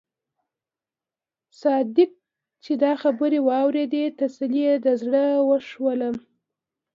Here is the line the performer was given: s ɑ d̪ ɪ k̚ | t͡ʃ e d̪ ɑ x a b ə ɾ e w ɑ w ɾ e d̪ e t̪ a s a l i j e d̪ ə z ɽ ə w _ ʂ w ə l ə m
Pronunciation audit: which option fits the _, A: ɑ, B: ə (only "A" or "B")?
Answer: B